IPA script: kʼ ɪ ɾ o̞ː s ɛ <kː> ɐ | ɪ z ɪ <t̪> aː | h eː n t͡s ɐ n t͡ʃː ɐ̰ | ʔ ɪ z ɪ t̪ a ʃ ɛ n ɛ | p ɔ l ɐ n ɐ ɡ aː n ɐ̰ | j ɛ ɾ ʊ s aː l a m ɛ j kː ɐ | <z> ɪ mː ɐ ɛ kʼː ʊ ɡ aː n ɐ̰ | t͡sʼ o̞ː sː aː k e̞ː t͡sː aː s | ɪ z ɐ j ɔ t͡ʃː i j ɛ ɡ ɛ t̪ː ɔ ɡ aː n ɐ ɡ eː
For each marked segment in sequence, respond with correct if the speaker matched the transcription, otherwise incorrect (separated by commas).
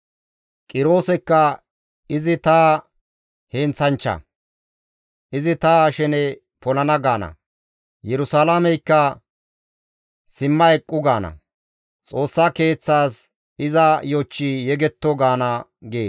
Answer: correct, correct, incorrect